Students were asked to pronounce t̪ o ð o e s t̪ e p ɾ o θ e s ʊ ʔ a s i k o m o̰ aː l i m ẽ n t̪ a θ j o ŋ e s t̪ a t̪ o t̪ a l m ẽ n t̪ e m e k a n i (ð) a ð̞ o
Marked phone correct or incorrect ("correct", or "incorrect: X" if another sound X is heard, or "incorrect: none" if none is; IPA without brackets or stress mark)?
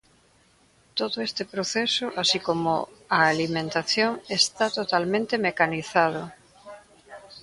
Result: incorrect: θ